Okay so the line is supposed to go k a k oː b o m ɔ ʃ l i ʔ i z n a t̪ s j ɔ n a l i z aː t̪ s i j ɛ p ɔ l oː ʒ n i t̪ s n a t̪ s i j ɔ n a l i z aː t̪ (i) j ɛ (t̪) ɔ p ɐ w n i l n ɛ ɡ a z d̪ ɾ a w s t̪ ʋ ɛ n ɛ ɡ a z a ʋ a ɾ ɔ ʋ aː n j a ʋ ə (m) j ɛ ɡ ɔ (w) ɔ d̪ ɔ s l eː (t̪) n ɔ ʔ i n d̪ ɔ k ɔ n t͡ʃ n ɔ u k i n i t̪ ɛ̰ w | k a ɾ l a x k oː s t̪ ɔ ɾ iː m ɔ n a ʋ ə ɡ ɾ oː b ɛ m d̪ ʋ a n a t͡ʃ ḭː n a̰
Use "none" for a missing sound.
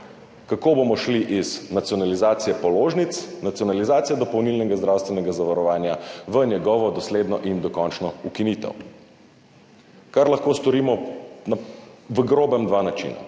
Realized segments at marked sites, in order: i, d̪, n, ʋ, d̪

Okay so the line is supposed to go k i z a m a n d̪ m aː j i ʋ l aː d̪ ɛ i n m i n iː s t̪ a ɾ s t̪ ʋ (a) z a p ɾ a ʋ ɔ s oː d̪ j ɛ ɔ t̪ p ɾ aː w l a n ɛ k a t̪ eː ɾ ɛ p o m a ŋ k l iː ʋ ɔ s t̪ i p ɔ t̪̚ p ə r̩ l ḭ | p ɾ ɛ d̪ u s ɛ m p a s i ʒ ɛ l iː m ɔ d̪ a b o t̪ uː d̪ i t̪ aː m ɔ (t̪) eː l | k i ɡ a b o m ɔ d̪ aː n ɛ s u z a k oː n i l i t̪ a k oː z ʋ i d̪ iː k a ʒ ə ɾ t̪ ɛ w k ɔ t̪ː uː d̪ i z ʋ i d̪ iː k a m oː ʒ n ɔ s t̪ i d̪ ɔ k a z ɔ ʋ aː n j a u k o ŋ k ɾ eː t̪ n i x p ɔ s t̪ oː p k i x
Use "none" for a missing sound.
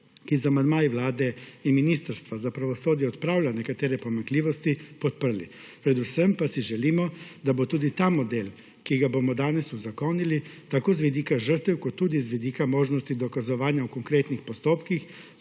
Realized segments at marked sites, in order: a, d̪

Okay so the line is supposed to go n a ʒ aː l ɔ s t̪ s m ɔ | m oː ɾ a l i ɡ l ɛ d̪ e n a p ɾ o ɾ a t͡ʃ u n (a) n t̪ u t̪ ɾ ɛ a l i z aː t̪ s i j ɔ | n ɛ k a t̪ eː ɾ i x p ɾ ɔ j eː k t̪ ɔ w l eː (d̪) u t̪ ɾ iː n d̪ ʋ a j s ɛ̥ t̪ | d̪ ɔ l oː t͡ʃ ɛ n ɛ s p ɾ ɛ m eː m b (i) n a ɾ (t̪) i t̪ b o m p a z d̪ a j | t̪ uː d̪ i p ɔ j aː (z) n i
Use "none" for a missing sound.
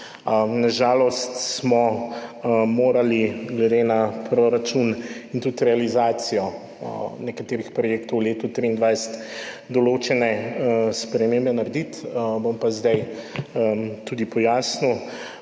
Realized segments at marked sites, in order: i, t̪, ɛ, d̪, s

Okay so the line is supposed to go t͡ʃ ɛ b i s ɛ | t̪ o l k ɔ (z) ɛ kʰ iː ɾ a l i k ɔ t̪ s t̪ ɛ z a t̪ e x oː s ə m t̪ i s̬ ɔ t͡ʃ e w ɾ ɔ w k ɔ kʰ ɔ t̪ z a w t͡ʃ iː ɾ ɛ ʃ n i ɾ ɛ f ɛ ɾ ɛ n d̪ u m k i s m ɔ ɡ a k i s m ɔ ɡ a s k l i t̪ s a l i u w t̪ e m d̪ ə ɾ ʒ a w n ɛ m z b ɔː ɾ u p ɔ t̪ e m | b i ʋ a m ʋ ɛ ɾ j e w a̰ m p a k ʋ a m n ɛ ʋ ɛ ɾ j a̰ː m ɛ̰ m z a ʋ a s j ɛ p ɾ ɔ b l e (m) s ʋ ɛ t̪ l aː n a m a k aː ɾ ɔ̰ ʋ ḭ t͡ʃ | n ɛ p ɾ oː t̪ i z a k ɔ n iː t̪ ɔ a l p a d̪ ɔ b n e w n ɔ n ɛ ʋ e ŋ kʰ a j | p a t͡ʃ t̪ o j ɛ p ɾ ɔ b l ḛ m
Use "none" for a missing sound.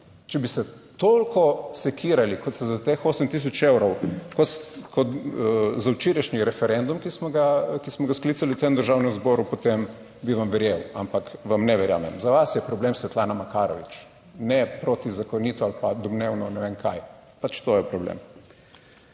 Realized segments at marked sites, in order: s, m

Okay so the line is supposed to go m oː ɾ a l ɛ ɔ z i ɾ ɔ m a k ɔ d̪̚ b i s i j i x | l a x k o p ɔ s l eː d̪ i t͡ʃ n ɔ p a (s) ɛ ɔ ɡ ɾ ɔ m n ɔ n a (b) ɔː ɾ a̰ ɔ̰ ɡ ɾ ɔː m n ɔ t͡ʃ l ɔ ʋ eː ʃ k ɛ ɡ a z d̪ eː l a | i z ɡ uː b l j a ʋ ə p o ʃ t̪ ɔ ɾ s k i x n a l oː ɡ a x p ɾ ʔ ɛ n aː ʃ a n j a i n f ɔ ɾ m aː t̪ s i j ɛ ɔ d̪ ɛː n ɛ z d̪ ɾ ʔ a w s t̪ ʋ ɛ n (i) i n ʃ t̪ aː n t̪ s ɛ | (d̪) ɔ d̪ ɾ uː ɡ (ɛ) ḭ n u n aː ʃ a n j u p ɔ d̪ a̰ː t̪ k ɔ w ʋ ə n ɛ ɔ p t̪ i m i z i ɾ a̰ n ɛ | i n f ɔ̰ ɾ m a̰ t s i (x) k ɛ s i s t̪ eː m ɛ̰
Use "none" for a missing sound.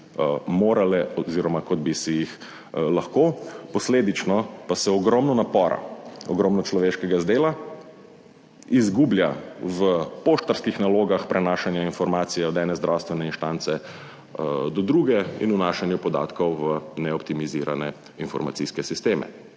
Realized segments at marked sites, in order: s, p, ɛ, d̪, ɛ, s

